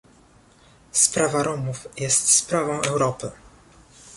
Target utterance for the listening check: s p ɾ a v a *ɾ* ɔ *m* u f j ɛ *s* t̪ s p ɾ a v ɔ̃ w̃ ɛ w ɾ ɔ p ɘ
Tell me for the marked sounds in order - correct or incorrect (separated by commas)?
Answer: correct, correct, correct